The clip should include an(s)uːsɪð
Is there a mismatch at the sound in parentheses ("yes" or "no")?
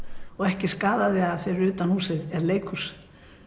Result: yes